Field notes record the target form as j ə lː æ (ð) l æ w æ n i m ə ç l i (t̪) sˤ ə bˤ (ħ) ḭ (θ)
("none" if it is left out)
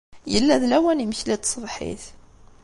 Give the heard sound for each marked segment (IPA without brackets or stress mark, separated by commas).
ð, t̪, ħ, θ